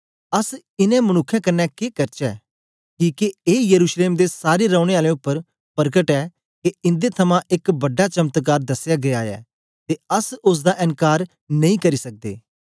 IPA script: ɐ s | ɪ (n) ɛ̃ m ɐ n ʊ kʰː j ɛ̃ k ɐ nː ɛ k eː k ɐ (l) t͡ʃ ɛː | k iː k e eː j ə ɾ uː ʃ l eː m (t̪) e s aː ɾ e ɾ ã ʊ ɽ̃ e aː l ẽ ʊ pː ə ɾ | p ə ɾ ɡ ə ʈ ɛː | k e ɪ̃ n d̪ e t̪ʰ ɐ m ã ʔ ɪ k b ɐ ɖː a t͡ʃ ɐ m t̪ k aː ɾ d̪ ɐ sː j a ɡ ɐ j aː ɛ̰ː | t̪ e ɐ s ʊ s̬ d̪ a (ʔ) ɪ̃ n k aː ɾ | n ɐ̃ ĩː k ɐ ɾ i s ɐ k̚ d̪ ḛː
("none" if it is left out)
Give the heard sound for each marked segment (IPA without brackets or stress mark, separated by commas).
n, ɾ, d̪, ʔ